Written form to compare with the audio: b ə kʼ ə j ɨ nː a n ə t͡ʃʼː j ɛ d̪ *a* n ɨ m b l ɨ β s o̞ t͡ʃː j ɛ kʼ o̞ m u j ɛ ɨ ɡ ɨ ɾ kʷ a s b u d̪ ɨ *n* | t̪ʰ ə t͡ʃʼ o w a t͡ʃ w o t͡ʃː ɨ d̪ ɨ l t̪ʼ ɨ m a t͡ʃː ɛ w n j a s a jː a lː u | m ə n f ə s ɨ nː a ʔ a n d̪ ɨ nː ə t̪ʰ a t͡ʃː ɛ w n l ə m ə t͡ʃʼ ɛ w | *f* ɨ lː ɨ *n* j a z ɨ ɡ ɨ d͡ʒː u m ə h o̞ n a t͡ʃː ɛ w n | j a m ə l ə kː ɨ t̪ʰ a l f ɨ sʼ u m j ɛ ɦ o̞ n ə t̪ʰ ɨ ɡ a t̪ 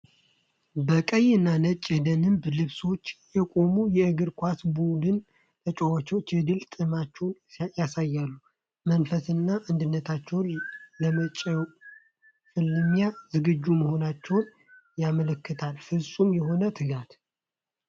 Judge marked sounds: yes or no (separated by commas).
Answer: no, yes, yes, no